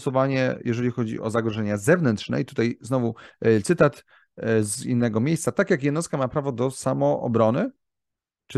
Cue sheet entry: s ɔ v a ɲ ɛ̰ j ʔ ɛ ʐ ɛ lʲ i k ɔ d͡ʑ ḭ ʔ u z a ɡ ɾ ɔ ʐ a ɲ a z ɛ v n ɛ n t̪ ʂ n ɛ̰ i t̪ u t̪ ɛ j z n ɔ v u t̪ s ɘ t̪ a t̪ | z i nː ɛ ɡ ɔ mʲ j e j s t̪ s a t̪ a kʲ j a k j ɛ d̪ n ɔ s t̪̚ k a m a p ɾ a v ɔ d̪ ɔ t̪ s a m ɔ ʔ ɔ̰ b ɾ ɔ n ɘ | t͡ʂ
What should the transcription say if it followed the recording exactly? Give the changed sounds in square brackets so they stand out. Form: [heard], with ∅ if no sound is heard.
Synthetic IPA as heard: s ɔ v a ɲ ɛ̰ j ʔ ɛ ʐ ɛ lʲ i [x] ɔ d͡ʑ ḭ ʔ [ɔ] z a ɡ ɾ ɔ ʐ [ɛ] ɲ a z ɛ v n ɛ n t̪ ʂ n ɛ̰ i t̪ u t̪ [a] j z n ɔ v u t̪ s ɘ t̪ a t̪ | z i nː ɛ ɡ ɔ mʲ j e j s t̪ s a t̪ a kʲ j a k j ɛ d̪ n ɔ s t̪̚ k a m a p ɾ a v ɔ d̪ ɔ [∅] s a m ɔ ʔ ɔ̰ b ɾ ɔ n ɘ | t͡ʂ